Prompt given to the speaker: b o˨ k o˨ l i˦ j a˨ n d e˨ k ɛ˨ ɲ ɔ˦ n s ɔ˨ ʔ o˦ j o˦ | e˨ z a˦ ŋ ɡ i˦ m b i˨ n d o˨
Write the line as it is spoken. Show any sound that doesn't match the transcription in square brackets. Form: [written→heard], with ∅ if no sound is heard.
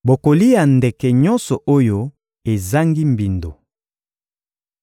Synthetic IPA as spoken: b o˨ k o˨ l i˦ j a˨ n d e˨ k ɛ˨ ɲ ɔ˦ n s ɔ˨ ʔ o˦ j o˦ | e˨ z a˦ ŋ ɡ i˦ m b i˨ n d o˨